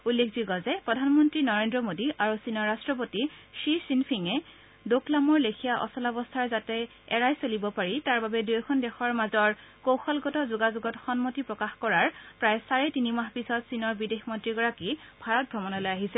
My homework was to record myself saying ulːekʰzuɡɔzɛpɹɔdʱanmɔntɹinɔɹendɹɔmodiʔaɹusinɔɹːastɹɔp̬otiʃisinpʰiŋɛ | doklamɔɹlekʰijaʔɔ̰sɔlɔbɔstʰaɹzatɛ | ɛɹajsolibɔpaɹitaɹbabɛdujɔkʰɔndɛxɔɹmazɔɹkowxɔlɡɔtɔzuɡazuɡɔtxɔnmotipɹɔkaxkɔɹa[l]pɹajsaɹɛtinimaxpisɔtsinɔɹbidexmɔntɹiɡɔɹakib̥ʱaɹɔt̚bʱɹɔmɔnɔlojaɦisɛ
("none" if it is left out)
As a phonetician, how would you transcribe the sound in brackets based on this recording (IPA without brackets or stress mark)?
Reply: ɹ